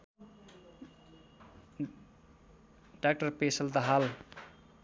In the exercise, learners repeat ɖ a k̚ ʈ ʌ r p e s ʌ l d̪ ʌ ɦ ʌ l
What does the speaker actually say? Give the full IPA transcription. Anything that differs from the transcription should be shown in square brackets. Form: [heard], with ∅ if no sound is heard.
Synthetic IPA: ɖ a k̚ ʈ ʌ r p e s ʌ l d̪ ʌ ɦ [a] l